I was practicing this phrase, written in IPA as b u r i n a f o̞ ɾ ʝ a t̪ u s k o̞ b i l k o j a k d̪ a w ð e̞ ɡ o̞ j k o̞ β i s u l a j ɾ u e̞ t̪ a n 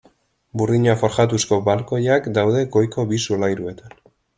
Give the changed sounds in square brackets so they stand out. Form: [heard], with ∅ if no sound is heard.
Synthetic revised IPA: b u r i [ɲ] a f o̞ ɾ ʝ a t̪ u s k o̞ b [a] l k o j a k d̪ a w ð e̞ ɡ o̞ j k o̞ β i s u l a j ɾ u e̞ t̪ a n